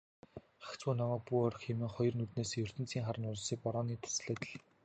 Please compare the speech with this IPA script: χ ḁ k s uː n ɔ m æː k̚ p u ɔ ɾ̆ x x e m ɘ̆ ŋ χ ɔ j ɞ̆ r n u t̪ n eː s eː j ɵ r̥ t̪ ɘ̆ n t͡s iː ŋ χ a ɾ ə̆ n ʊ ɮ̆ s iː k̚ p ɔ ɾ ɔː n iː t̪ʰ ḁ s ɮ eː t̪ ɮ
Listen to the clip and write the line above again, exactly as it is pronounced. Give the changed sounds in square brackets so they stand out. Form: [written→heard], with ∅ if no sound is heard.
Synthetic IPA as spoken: χ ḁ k [s→t͡s] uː n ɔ m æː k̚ p u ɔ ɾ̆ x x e m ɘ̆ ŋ χ ɔ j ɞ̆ r n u t̪ n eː s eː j ɵ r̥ t̪ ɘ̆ n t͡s iː ŋ χ a ɾ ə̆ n ʊ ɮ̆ s iː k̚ p ɔ ɾ ɔː n iː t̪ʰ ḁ s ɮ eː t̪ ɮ